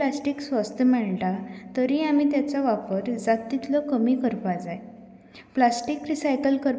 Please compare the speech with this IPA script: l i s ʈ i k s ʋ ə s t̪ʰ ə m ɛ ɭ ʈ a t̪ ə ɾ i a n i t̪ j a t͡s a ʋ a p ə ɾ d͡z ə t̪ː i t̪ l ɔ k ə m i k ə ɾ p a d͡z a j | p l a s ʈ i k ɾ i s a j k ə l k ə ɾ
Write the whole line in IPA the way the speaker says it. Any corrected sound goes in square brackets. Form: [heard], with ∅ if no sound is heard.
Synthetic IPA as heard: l [a] s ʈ i k s ʋ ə s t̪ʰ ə m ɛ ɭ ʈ a t̪ ə ɾ i a [m] i t̪ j a t͡s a ʋ a p ə ɾ d͡z [a] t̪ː i t̪ l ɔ k ə m i k ə ɾ p a d͡z a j | p l a s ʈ i k ɾ i s a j k ə l k ə ɾ